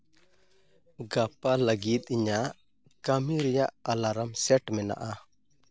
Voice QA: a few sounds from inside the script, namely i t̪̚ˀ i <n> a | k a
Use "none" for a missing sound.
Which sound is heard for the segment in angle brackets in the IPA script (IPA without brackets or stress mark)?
ɲ